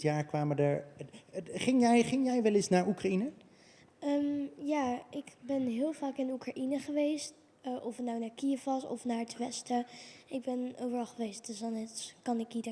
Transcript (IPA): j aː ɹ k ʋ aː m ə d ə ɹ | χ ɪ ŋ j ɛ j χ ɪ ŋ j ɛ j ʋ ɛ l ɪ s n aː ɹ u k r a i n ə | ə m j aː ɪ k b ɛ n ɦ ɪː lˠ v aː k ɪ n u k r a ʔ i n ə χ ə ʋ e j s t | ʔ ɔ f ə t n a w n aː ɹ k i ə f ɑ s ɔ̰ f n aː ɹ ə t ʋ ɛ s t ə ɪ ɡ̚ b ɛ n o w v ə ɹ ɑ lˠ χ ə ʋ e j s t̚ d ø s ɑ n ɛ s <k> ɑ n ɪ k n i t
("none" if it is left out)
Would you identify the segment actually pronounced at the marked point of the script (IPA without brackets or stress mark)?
k